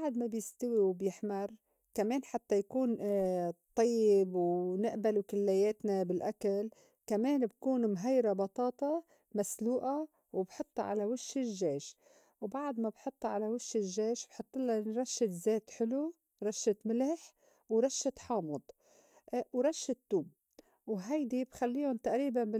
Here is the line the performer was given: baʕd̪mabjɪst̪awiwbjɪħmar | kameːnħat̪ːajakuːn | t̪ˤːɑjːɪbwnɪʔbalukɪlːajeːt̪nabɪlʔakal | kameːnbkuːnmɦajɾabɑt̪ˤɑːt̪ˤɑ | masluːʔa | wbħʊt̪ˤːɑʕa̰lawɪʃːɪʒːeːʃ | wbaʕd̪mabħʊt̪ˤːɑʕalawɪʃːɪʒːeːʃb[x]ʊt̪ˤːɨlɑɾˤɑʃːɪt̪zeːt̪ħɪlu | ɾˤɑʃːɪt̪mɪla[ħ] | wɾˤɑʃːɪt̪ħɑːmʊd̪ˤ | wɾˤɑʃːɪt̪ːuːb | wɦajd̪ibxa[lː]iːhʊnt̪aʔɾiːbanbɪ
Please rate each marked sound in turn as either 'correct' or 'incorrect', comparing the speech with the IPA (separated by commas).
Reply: incorrect, correct, correct